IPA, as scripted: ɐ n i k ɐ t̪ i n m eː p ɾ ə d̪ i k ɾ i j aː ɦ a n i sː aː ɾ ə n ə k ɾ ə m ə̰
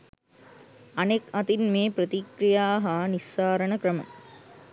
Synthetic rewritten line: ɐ n e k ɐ t̪ i n m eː p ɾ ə t̪ i k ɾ i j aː ɦ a n i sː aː ɾ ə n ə k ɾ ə m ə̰

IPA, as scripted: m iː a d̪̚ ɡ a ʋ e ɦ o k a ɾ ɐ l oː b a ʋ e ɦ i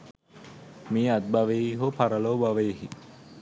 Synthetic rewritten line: m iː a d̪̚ b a ʋ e ɦ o p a ɾ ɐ l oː b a ʋ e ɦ i

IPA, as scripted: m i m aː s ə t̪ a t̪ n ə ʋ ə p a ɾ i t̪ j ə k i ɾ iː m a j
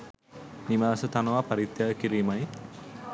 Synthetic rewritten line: n i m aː s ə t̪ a n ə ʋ a p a ɾ i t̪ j a k i ɾ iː m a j

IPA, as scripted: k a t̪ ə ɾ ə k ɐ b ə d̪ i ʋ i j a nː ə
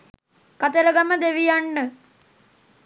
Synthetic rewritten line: k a t̪ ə ɾ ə ɡ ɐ m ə d̪ e ʋ i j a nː ə

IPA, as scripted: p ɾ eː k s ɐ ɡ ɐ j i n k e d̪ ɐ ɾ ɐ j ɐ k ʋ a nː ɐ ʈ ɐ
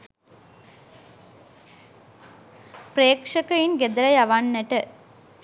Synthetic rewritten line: p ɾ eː k ʂ ɐ k ɐ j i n ɡ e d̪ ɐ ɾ ɐ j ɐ ʋ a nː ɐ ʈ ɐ

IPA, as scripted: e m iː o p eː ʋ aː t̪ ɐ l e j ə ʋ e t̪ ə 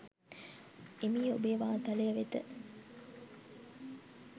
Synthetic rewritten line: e m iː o b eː ʋ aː t̪ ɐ l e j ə ʋ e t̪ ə

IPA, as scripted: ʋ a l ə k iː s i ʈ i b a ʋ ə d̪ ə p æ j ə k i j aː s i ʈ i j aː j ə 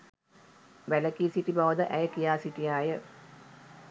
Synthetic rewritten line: ʋ æ l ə k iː s i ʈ i b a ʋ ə d̪ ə ʔ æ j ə k i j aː s i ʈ i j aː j ə

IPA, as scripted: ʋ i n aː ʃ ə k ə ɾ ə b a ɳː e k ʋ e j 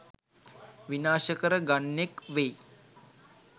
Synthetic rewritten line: ʋ i n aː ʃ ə k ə ɾ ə ɡ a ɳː e k ʋ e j

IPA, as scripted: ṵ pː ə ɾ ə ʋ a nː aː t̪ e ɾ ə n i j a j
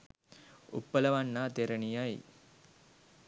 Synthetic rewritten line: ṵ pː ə l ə ʋ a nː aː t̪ e ɾ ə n i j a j

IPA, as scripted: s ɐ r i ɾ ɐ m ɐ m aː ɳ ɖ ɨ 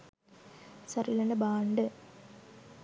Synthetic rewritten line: s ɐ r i l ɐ n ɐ b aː ɳ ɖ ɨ

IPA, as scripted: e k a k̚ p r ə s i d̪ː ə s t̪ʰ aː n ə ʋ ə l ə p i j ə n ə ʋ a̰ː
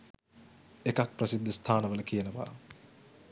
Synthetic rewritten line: e k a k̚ p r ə s i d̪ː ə s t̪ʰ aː n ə ʋ ə l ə k i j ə n ə ʋ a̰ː

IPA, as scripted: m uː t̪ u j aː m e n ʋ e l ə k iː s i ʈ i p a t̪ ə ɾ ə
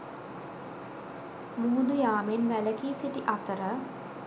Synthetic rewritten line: m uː d̪ u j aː m e n ʋ æ l ə k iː s i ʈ i ʔ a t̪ ə ɾ ə

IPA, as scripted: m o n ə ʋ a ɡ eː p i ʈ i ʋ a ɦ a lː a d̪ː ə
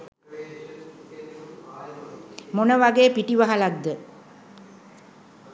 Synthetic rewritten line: m o n ə ʋ a ɡ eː p i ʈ i ʋ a ɦ a l a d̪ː ə

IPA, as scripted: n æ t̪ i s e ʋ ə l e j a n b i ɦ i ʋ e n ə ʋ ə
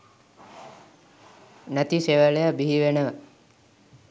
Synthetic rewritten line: n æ t̪ i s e ʋ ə l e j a b i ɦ i ʋ e n ə ʋ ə

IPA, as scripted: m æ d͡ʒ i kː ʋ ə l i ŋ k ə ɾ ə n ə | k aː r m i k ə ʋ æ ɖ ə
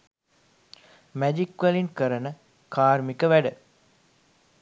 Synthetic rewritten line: m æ d͡ʒ i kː ʋ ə l i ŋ k ə ɾ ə n ə | k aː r m i k ə ʋ æ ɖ ə

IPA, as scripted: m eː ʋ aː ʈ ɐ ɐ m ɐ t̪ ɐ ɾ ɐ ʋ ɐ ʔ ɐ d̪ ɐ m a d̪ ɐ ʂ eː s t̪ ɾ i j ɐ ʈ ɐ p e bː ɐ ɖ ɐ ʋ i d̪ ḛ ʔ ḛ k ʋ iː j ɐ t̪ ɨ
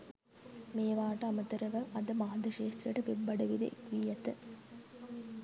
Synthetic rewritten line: m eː ʋ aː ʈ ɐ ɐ m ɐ t̪ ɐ ɾ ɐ ʋ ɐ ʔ ɐ d̪ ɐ m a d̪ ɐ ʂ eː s t̪ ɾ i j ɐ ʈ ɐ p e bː ɐ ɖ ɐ ʋ i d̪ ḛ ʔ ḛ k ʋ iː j ɐ t̪ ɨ

